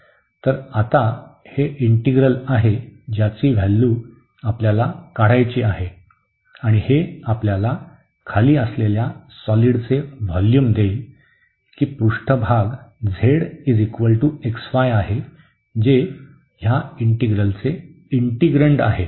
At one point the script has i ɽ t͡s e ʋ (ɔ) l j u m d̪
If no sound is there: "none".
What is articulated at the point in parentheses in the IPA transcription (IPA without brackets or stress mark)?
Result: ɔ